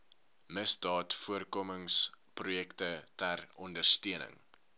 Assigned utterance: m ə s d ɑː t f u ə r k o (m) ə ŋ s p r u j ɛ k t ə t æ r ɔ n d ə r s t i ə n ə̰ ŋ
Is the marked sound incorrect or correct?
correct